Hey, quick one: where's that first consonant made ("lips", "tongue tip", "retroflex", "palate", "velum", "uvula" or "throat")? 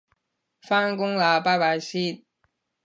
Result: lips